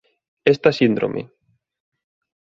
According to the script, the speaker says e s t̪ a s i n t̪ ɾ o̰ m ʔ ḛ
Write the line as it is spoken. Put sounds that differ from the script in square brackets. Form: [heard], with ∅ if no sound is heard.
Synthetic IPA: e s t̪ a s i n [d̪] ɾ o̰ m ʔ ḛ

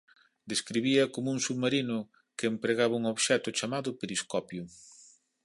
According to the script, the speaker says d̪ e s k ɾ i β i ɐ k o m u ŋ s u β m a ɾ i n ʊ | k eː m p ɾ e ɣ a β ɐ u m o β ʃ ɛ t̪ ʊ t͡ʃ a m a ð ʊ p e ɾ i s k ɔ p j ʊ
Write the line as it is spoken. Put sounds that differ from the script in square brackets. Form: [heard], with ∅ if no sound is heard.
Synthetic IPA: d̪ e s k ɾ i β i ɐ k o m u ŋ s u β m a ɾ i n ʊ | k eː m p ɾ e ɣ a β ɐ u [ŋ] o β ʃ ɛ t̪ ʊ t͡ʃ a m a ð ʊ p e ɾ i s k ɔ p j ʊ

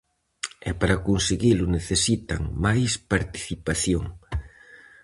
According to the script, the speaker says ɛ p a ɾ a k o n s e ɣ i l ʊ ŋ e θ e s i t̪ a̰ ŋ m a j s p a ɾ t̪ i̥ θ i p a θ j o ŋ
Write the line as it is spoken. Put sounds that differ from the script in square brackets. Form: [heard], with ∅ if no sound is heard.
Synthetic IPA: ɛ p a ɾ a k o n s e ɣ i l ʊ [n] e θ e s i t̪ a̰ ŋ m a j s p a ɾ t̪ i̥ θ i p a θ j o ŋ

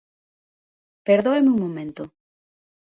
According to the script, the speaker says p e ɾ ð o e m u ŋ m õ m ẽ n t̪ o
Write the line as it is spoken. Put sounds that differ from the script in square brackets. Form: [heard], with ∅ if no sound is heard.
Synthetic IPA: p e ɾ ð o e m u ŋ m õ m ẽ n t̪ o

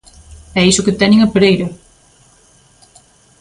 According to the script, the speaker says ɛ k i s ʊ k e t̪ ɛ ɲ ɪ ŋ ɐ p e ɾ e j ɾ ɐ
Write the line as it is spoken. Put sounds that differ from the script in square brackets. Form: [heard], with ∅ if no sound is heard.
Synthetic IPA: ɛ [∅] i s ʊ k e t̪ ɛ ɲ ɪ ŋ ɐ p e ɾ e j ɾ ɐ

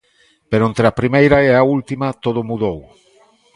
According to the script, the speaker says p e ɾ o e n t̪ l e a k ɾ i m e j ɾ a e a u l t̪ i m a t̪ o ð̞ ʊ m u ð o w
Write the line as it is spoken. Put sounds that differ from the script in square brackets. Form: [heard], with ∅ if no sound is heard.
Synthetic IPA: p e ɾ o e n t̪ [ɾ] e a [p] ɾ i m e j ɾ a e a u l t̪ i m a t̪ o ð̞ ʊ m u ð o w

